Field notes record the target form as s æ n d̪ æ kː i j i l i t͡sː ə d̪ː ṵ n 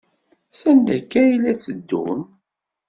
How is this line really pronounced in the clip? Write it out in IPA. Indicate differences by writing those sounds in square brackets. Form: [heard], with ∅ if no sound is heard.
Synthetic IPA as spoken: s æ n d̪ æ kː [æ] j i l [æ] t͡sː ə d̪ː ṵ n